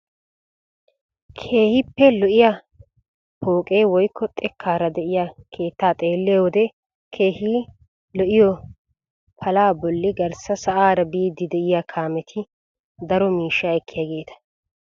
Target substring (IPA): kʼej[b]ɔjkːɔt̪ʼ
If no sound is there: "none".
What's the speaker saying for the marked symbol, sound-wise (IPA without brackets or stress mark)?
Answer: w